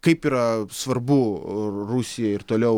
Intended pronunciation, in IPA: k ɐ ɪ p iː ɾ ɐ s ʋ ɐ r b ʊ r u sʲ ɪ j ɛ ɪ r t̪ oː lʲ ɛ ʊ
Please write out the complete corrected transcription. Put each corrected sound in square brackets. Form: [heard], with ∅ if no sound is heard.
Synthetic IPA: k ɐ ɪ p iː ɾ ɐ s ʋ ɐ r b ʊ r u sʲ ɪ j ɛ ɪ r t̪ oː lʲ ɛ ʊ